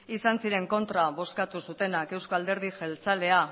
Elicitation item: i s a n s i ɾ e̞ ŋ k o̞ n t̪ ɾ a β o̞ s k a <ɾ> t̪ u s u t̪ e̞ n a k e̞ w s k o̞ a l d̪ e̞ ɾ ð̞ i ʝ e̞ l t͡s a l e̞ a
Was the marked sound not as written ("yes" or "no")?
yes